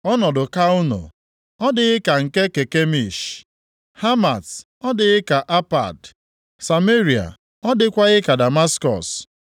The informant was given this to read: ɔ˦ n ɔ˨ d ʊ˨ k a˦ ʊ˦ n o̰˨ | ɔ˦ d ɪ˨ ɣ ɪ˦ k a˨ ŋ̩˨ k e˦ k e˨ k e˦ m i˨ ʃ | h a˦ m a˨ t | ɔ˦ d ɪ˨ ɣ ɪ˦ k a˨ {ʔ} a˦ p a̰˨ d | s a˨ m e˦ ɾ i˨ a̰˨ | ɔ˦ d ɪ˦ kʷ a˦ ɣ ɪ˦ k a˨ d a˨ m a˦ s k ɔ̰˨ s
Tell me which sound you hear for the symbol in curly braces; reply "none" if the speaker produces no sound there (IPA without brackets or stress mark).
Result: ʔ